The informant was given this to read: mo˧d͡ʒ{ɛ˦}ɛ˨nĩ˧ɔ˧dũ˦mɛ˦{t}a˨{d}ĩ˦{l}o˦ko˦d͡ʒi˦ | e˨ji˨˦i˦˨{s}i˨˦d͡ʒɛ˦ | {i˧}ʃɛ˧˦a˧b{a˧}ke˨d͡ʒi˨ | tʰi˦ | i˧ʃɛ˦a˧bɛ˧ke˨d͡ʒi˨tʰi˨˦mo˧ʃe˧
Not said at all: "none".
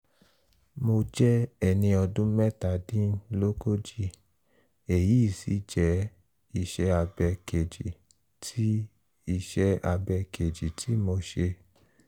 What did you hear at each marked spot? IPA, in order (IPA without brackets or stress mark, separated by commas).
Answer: ɛ˦, t, d, l, s, i˧, ɛ˧